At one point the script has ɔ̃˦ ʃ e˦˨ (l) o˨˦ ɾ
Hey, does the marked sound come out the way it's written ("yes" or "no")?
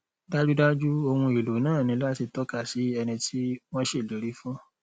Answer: yes